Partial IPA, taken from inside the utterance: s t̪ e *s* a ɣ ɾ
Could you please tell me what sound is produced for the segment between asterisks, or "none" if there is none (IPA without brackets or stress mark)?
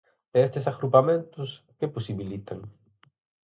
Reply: s